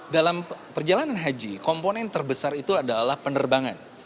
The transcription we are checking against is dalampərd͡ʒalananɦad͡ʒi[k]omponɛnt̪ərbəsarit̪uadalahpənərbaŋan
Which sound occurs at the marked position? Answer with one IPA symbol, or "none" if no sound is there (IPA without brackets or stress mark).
k